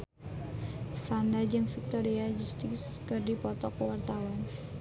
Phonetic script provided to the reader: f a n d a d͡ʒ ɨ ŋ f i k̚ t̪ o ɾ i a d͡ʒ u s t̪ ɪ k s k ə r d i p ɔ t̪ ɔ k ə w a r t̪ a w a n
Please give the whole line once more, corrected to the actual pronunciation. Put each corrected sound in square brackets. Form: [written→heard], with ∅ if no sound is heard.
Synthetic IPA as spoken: f a n d a d͡ʒ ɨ ŋ f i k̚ t̪ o ɾ i a d͡ʒ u s t̪ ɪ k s k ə r d i p ɔ t̪ ɔ k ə w a r t̪ a w a n